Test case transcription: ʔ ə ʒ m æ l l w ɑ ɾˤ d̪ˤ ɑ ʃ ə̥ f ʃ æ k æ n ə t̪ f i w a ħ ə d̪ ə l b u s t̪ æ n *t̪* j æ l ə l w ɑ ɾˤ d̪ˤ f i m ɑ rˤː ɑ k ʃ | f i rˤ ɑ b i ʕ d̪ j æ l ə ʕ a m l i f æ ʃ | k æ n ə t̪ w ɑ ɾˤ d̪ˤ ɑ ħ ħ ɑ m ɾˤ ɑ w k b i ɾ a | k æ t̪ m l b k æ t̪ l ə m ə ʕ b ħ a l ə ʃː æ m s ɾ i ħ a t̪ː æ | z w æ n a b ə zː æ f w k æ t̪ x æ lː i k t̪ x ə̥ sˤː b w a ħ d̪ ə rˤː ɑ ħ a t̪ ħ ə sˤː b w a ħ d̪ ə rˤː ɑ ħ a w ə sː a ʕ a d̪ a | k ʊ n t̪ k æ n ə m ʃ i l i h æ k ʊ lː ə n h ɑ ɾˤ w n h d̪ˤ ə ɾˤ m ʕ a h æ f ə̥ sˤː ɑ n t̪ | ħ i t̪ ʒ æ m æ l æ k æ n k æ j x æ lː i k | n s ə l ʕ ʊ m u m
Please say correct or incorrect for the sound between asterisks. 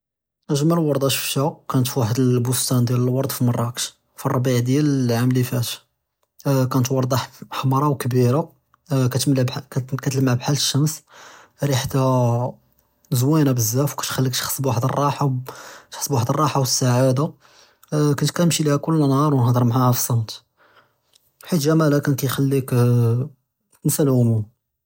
incorrect